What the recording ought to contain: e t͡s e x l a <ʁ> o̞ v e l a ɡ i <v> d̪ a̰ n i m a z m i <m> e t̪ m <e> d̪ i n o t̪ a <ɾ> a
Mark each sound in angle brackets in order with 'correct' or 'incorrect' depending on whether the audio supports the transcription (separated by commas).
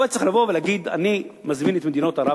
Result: incorrect, incorrect, incorrect, correct, correct